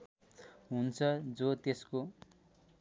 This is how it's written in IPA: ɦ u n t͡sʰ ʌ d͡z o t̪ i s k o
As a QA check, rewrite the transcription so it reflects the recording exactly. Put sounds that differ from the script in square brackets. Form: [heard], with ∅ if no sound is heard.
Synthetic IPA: ɦ u n t͡sʰ ʌ d͡z o t̪ [e] s k o